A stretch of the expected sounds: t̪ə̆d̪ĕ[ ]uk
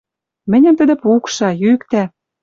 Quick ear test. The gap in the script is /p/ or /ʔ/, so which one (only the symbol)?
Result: p